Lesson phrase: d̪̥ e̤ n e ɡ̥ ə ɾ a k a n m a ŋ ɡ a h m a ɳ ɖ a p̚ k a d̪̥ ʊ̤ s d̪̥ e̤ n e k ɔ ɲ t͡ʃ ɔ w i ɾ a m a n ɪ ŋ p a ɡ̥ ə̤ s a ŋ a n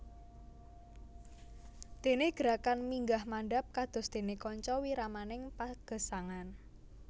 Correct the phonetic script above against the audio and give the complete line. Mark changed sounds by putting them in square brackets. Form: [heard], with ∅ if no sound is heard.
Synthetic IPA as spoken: d̪̥ e̤ n e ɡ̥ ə ɾ a k a n m [i] ŋ ɡ a h m a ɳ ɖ a p̚ k a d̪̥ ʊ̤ s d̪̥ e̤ n e k ɔ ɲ t͡ʃ ɔ w i ɾ a m a n ɪ ŋ p a ɡ̥ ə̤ s a ŋ a n